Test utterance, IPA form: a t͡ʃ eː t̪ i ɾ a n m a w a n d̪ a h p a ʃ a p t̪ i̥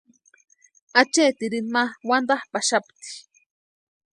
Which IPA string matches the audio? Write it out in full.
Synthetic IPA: a t͡ʃ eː t̪ i ɾ i n m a w a n d̪ a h p a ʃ a p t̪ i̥